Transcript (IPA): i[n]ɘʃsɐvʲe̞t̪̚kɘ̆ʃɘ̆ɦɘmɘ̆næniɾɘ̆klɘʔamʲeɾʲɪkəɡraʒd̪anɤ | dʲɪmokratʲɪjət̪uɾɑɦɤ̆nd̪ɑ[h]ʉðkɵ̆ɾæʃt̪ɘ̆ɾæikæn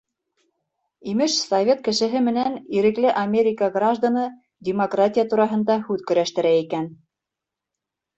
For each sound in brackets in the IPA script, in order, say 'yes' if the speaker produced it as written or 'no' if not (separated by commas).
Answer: no, yes